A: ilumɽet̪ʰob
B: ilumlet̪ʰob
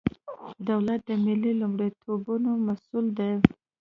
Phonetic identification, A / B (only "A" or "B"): A